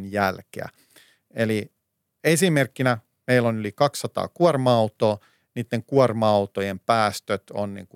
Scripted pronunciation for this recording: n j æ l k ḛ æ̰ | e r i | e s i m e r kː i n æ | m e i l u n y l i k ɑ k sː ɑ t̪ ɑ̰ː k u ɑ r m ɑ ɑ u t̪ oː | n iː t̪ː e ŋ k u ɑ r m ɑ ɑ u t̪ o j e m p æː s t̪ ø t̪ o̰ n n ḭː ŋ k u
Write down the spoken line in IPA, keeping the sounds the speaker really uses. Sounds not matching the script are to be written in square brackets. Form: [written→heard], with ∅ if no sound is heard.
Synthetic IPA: n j æ l k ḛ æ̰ | e [r→l] i | e s i m e r kː i n æ | m e i l [u→o] n y l i k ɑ k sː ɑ t̪ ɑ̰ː k u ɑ r m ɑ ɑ u t̪ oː | n iː t̪ː e ŋ k u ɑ r m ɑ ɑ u t̪ o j e m p æː s t̪ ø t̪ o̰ n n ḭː ŋ k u